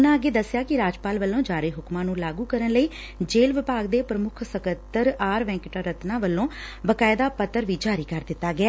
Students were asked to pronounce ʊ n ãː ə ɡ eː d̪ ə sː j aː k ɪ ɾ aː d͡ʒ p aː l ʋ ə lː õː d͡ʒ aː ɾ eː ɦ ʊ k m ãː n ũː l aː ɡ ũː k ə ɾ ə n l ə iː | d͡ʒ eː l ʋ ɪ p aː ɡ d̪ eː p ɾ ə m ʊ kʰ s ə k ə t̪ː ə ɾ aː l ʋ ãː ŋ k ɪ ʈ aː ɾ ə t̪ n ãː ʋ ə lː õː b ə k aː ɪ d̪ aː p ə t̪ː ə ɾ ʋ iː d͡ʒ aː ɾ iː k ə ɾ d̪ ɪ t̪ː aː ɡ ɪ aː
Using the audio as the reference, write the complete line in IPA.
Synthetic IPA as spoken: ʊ n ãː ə ɡ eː d̪ ə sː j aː k ɪ ɾ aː d͡ʒ p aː l ʋ ə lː õː d͡ʒ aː ɾ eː ɦ ʊ k m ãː n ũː l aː ɡ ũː k ə ɾ ə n l ə iː | d͡ʒ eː l ʋ ɪ p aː ɡ d̪ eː p ɾ ə m ʊ kʰ s ə k ə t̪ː ə ɾ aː ɾ ʋ ɛ̃ː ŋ k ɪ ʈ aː ɾ ə t̪ n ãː ʋ ə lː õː b ə k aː ɪ d̪ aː p ə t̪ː ə ɾ ʋ iː d͡ʒ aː ɾ iː k ə ɾ d̪ ɪ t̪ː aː ɡ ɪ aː